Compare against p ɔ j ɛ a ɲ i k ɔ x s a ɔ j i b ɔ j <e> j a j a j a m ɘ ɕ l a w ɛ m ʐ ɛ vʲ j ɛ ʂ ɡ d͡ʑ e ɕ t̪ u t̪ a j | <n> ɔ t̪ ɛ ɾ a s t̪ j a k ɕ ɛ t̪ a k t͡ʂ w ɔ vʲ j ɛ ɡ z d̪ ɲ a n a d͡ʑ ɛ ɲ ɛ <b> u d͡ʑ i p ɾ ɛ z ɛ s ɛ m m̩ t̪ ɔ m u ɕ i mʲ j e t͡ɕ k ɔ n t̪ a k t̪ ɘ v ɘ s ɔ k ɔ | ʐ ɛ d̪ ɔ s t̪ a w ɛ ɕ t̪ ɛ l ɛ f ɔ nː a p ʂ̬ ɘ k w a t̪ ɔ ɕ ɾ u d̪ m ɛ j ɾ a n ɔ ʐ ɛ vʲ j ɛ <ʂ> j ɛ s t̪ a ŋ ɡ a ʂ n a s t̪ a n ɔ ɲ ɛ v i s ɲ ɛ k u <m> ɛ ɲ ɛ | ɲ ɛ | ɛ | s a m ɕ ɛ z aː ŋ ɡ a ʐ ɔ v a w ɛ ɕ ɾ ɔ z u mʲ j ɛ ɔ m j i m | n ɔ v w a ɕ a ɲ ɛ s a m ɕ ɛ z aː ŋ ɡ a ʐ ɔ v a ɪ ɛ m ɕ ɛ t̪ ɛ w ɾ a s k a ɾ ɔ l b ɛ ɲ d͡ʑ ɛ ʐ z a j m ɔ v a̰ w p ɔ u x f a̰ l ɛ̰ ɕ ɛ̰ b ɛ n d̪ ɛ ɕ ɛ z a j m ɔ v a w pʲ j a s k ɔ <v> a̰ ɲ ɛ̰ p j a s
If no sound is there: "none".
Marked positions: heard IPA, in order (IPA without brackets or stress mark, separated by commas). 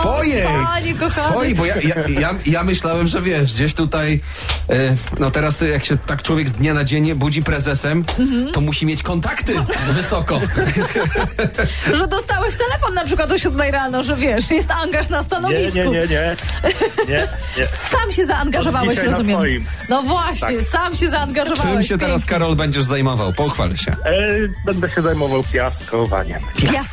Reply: a, n, b, ʂ, ɲ, v